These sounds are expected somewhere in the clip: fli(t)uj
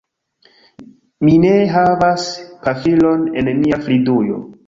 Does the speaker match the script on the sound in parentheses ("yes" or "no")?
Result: no